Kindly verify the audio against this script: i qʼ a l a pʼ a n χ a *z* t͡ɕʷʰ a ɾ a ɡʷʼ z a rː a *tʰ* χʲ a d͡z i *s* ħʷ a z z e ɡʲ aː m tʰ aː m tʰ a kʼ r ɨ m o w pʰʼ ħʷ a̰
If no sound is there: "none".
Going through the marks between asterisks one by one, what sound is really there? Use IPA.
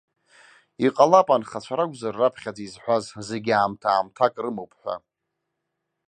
none, pʰ, z

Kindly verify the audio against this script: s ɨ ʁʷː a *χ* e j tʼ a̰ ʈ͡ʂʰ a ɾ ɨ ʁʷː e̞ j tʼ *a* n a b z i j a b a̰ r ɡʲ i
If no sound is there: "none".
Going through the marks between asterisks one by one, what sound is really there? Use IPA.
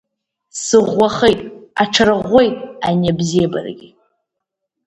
χ, a

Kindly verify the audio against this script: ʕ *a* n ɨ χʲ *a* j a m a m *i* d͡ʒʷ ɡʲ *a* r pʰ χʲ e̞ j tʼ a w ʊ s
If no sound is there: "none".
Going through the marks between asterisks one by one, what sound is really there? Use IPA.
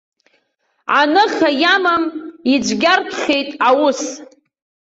a, a, i, a

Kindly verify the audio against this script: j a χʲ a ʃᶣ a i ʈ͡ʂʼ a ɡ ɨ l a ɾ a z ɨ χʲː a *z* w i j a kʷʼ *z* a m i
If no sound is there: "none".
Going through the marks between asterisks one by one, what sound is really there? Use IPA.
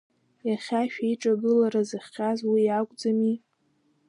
z, d͡z

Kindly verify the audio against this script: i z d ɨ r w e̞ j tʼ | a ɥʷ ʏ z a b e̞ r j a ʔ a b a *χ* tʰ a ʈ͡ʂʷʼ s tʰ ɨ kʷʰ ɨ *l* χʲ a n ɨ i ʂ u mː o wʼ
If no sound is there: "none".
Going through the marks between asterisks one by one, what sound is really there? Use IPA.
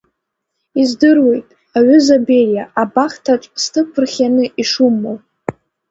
χ, r

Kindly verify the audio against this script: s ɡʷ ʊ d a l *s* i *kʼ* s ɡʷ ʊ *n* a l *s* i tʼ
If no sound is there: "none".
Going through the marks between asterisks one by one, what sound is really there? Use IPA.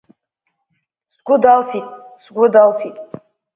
s, tʼ, d, s

